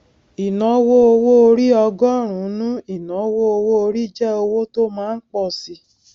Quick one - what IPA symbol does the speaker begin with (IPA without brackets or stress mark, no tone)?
i